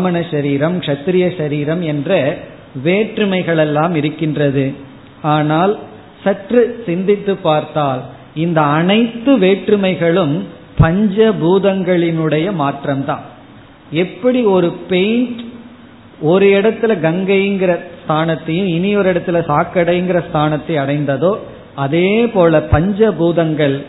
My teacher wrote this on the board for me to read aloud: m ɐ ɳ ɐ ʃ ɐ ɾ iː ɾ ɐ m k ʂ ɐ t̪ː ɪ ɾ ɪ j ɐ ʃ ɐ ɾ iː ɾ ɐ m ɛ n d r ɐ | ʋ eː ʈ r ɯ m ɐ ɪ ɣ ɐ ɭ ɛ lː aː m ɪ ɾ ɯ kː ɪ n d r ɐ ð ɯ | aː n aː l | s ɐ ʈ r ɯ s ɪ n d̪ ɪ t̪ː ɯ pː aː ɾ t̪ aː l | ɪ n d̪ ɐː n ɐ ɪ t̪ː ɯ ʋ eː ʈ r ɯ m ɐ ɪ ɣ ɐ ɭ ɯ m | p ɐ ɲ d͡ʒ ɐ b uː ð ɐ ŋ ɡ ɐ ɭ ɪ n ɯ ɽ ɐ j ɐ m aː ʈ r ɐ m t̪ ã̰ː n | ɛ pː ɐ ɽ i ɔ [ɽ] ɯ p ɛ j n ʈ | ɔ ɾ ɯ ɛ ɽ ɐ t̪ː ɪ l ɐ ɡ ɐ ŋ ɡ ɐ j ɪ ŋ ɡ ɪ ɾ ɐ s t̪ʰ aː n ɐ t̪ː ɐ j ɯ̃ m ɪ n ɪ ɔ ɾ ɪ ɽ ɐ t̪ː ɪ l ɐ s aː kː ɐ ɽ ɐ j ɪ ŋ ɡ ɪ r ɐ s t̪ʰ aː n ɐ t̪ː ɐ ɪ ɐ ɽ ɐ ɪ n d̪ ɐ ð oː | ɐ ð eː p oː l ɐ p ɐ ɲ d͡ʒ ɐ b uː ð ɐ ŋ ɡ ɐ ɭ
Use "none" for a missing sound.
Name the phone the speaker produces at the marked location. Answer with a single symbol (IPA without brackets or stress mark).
ɾ